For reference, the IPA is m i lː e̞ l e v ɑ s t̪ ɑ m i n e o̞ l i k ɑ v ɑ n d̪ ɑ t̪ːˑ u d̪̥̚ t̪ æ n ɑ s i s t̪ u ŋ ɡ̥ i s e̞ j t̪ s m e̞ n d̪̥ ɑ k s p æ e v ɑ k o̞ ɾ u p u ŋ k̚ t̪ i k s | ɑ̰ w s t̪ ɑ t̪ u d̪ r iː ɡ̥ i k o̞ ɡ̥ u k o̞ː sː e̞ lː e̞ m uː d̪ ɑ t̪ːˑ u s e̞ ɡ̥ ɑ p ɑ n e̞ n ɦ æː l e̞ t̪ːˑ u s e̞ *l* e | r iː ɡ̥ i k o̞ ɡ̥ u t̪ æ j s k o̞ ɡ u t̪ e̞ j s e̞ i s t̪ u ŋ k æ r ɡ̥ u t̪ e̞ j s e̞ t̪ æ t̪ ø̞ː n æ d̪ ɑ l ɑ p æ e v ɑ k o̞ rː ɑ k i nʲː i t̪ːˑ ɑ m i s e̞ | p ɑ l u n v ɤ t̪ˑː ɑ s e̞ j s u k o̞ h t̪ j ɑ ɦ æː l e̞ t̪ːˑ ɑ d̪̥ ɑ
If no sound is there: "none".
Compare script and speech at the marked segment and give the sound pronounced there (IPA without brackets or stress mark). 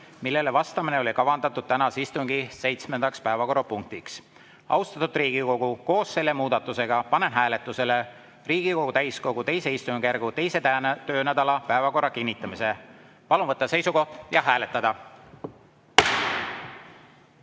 l